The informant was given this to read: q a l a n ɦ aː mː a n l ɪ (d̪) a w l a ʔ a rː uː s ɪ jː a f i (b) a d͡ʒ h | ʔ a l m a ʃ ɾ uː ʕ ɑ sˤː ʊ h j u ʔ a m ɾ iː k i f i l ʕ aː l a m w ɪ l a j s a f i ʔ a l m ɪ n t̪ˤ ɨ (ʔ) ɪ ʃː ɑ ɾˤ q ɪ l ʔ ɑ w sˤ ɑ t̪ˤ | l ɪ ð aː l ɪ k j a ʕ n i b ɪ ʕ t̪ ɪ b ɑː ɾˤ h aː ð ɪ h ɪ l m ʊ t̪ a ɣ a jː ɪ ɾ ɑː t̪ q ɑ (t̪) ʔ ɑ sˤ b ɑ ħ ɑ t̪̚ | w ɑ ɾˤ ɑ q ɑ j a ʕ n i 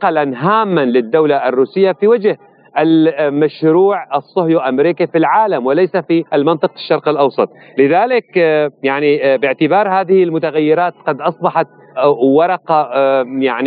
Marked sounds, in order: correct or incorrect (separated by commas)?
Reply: incorrect, incorrect, incorrect, incorrect